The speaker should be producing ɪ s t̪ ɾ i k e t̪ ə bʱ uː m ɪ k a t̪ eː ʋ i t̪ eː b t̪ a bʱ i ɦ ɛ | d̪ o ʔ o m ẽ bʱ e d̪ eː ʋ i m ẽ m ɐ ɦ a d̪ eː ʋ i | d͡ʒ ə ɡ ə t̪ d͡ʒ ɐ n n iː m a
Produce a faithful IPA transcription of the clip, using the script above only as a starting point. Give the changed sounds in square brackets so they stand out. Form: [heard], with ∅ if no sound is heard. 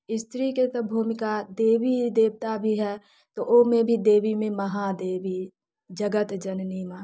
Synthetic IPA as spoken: ɪ s t̪ ɾ i k e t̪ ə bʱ uː m ɪ k a [d̪] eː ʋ i [d̪] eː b t̪ a bʱ i ɦ ɛ | [t̪] o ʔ o m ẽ bʱ [i] d̪ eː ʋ i m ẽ m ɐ ɦ a d̪ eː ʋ i | d͡ʒ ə ɡ ə t̪ d͡ʒ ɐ n n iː m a